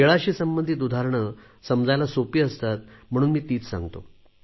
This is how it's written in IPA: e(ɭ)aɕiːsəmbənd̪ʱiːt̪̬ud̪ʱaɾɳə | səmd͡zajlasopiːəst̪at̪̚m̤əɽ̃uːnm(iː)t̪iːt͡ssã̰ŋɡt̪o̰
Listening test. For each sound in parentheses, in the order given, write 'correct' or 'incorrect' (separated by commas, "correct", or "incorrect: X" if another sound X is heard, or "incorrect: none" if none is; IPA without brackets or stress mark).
correct, correct